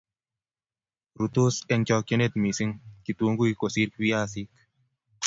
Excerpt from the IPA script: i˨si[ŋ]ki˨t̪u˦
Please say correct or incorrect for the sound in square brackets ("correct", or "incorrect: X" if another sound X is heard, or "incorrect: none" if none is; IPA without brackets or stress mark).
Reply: correct